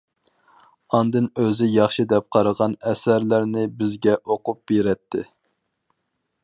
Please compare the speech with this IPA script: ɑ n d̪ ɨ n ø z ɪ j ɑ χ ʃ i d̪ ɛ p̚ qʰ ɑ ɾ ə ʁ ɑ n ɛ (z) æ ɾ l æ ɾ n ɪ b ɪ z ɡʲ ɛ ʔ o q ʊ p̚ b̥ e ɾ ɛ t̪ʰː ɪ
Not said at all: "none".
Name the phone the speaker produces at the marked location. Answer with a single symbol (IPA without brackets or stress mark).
s